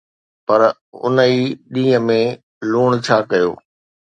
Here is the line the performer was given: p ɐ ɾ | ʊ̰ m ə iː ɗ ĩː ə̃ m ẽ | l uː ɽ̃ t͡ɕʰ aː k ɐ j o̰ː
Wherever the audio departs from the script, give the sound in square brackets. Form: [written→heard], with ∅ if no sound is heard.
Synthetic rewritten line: p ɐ ɾ | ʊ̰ [m→n] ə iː ɗ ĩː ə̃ m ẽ | l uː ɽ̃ t͡ɕʰ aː k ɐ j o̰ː